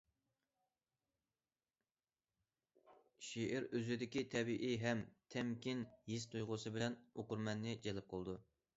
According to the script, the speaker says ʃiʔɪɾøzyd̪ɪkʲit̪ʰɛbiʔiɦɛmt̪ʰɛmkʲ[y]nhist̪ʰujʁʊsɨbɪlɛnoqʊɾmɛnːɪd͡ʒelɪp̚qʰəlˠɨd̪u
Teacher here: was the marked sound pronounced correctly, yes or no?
no